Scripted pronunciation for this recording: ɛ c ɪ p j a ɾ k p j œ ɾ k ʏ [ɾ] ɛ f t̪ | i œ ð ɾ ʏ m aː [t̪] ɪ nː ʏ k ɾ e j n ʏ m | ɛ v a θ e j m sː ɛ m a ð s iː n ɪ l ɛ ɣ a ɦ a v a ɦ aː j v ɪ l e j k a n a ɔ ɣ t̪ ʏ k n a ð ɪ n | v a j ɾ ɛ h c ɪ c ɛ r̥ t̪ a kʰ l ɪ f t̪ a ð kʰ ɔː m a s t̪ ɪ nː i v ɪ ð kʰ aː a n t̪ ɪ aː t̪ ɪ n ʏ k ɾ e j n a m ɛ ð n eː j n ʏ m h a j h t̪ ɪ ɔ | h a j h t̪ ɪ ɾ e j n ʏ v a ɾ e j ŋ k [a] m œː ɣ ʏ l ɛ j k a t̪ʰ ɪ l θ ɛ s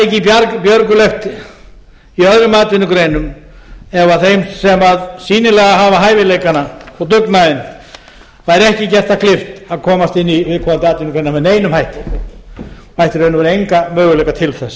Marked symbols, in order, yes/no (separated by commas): no, yes, yes